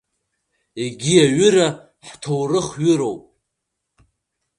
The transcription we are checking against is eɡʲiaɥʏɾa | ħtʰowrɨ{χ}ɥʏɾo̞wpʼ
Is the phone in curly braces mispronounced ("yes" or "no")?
no